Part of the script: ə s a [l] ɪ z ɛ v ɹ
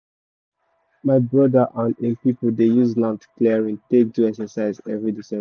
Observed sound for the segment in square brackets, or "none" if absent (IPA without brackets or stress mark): none